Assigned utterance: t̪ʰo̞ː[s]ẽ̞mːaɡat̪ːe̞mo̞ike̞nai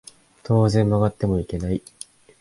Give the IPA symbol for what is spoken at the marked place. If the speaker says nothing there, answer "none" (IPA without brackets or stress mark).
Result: z